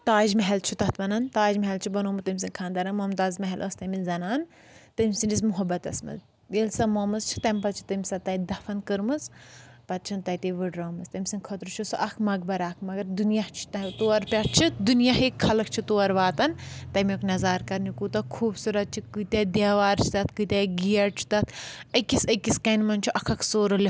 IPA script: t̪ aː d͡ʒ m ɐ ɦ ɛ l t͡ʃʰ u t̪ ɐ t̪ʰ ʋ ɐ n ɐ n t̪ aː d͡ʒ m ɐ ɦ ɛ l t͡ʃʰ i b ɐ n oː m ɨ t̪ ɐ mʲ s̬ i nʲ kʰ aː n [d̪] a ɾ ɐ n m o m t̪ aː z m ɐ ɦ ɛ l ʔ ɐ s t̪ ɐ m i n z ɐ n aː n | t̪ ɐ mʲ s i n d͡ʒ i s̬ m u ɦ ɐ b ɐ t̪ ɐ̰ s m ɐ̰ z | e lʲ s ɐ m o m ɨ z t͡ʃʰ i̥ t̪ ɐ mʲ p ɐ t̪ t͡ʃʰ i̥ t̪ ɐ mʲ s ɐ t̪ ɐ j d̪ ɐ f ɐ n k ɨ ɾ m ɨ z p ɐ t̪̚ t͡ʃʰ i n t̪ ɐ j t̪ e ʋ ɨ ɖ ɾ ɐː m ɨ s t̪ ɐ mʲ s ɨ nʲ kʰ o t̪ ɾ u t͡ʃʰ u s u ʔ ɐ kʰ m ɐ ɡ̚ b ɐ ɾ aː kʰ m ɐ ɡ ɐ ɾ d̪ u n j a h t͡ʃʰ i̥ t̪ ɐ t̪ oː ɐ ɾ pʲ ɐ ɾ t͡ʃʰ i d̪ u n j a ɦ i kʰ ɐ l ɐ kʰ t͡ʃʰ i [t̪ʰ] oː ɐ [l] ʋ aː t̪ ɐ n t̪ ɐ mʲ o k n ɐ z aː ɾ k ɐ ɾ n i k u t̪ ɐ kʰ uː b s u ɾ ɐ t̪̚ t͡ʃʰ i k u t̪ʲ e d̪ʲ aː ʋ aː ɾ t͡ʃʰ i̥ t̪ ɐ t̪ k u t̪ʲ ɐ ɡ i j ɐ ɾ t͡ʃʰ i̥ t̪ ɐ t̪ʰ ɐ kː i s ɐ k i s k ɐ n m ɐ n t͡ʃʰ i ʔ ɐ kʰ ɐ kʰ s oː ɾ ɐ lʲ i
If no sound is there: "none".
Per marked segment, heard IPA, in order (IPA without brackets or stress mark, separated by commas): d̪, t̪, ɾ